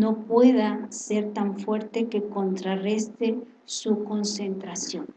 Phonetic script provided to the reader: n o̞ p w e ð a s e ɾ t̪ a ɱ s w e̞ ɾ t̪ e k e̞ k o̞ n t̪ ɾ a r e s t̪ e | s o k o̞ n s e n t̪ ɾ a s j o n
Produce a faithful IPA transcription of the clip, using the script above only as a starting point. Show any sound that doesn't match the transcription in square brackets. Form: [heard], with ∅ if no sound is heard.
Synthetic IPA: n o̞ p w e ð a s e ɾ t̪ a ɱ [f] w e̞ ɾ t̪ e k e̞ k o̞ n t̪ ɾ a r e s t̪ e | s [u] k o̞ n s e n t̪ ɾ a s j o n